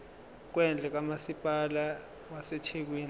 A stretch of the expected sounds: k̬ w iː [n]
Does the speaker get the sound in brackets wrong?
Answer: no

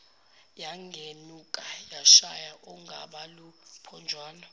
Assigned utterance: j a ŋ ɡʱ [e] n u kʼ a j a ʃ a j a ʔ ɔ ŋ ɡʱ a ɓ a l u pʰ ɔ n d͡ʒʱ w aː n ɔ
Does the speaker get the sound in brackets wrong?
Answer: no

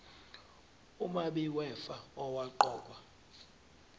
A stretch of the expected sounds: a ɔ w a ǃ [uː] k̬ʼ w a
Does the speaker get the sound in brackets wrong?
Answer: yes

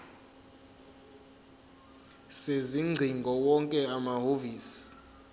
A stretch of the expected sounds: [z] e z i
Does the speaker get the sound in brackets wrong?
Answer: yes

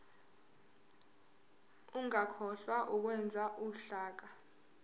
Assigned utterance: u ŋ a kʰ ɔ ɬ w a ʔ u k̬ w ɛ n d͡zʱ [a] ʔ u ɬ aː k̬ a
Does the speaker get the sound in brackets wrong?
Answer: no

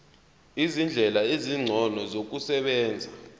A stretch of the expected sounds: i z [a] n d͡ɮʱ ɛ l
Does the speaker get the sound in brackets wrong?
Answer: yes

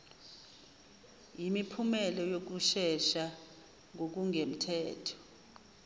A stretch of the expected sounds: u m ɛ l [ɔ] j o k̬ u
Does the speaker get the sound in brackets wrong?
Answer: no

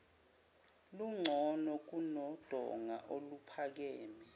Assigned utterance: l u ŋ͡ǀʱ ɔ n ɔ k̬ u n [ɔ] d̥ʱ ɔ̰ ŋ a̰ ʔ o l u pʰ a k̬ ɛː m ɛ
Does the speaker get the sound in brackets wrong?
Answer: no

